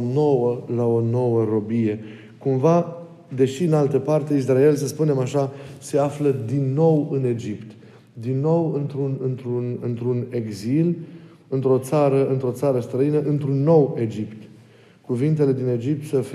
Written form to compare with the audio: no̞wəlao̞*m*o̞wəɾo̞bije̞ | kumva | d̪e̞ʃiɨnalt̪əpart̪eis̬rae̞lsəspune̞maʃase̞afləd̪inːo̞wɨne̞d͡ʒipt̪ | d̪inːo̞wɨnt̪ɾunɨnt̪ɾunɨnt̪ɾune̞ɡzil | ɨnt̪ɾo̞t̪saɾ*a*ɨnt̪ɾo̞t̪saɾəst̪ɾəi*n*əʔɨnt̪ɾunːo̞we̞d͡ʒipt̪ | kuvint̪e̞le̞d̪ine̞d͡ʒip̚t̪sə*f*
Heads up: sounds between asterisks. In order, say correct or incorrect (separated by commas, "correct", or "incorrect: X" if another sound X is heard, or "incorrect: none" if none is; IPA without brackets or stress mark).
incorrect: n, incorrect: ə, correct, correct